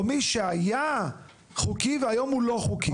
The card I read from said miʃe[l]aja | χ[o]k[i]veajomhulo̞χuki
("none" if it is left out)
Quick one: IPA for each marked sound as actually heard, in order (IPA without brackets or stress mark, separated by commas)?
none, u, i